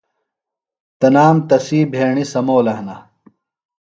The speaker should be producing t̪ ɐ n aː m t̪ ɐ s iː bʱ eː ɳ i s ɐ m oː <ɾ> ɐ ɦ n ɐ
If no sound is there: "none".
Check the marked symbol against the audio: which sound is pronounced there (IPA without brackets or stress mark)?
l